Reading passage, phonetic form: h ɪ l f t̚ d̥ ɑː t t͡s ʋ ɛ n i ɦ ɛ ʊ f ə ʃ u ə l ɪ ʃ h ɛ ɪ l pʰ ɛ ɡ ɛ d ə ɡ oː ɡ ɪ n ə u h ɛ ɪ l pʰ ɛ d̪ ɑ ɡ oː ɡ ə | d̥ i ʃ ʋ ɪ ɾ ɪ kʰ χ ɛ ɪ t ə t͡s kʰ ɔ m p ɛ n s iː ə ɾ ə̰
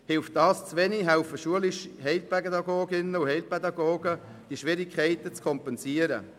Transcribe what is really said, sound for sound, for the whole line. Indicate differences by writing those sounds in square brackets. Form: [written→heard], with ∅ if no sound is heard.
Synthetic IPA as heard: h ɪ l f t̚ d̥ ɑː [t→s] t͡s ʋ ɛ n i ɦ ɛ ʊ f ə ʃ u ə l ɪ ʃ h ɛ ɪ l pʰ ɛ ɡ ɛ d [ə→ɑ] ɡ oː ɡ ɪ n ə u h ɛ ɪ l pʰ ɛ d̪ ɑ ɡ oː ɡ ə | d̥ i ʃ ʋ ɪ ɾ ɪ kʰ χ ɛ ɪ t ə t͡s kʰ ɔ m p ɛ n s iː ə ɾ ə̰

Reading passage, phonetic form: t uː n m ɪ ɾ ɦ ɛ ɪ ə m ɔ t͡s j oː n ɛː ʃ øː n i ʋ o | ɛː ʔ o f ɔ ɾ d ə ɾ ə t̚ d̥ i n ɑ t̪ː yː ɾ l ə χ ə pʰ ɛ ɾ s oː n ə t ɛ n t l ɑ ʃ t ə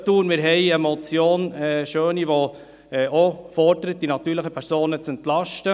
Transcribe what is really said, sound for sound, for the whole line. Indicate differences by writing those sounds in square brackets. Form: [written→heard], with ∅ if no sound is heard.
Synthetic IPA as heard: t uː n m ɪ ɾ ɦ ɛ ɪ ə m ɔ t͡s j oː n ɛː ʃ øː n i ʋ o | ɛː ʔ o f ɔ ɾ d ə ɾ ə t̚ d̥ i n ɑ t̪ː yː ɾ l ə χ ə pʰ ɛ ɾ s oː n ə [t→t͡s] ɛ n t l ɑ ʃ t ə

